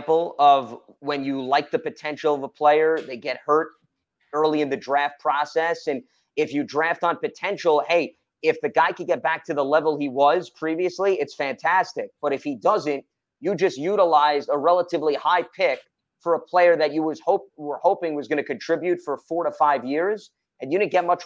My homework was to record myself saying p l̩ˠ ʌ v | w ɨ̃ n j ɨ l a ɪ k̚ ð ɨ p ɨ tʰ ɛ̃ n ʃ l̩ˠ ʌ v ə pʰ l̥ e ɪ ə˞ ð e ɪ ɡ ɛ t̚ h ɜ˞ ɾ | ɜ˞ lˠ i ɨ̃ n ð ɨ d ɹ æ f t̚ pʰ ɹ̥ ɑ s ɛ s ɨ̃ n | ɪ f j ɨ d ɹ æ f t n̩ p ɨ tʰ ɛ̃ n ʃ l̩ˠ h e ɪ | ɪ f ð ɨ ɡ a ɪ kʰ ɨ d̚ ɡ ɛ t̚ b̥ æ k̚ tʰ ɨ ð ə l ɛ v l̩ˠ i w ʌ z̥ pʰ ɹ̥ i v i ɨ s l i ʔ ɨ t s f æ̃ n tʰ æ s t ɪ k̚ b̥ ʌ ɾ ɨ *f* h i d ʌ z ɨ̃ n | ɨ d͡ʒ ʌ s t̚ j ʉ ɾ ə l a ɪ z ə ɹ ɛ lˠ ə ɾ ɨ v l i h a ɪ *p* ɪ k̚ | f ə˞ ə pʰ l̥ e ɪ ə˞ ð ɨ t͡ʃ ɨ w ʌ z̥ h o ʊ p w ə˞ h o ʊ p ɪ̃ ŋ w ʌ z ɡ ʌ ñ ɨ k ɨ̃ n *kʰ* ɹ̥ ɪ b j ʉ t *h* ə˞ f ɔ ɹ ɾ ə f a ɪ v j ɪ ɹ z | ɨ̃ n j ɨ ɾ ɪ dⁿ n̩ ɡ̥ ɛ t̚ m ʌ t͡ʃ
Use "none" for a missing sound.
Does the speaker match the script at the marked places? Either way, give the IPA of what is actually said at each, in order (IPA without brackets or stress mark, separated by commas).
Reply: f, pʰ, tʰ, f